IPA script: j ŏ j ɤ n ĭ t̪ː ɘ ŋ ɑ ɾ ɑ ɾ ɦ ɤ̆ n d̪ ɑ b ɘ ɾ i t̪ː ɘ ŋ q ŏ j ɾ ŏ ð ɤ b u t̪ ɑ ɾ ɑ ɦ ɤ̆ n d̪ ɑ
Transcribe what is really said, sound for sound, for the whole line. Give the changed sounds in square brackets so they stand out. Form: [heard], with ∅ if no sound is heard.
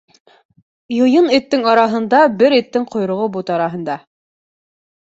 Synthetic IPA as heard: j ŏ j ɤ n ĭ t̪ː ɘ ŋ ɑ ɾ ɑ [∅] ɦ ɤ̆ n d̪ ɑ b ɘ ɾ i t̪ː ɘ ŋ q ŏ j ɾ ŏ [ʁ] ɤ b u t̪ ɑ ɾ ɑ ɦ ɤ̆ n d̪ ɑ